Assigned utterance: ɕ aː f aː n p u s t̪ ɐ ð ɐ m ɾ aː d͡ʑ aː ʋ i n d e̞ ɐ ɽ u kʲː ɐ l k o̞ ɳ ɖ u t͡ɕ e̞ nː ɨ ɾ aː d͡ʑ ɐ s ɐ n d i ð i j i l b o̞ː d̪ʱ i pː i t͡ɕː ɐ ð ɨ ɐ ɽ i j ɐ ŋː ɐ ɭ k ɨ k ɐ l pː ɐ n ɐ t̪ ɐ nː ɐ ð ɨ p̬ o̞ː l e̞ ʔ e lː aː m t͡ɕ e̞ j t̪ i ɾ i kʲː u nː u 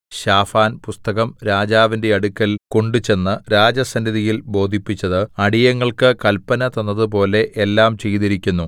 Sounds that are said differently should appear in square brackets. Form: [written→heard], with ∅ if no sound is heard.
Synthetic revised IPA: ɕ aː f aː n p u s t̪ ɐ [ð→ɣ] ɐ m ɾ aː d͡ʑ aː ʋ i n d e̞ ɐ ɽ u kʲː ɐ l k o̞ ɳ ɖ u t͡ɕ e̞ nː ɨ ɾ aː d͡ʑ ɐ s ɐ n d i ð i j i l b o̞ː d̪ʱ i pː i t͡ɕː ɐ ð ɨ ɐ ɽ i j ɐ ŋː ɐ ɭ k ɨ k ɐ l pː ɐ n ɐ t̪ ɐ nː ɐ ð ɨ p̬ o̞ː l e̞ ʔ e lː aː m t͡ɕ e̞ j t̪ i ɾ i kʲː u nː u